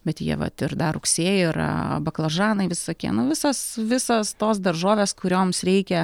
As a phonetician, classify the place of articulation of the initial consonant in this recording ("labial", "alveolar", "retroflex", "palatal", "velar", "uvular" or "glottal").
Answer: labial